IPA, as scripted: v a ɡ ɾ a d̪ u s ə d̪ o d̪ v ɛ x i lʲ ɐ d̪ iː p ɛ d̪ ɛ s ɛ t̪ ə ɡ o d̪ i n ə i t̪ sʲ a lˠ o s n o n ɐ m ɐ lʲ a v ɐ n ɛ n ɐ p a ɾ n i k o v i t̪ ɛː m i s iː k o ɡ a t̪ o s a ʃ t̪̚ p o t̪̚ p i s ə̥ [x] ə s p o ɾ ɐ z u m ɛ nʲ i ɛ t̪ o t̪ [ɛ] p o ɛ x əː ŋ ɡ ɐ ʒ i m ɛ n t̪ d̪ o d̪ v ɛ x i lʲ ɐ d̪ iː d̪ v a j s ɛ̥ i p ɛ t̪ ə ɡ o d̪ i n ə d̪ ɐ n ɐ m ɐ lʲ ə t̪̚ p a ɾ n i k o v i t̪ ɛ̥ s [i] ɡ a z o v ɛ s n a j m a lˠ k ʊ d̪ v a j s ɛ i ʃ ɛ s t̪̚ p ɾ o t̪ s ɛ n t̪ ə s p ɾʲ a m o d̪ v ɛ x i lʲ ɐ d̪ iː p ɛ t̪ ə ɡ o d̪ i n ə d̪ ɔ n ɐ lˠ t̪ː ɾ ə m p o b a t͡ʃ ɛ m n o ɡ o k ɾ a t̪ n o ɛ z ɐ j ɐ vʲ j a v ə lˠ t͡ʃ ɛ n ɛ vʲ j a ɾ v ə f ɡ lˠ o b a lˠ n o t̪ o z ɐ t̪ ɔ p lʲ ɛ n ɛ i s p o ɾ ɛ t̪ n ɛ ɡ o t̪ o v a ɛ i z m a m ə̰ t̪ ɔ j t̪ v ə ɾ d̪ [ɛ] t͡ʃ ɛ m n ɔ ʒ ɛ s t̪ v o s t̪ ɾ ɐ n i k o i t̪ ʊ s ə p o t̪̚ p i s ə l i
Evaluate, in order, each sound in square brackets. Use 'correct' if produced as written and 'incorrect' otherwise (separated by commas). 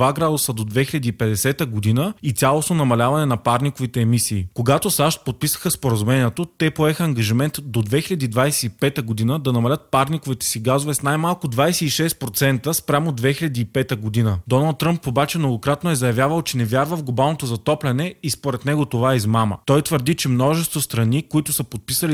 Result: correct, correct, correct, incorrect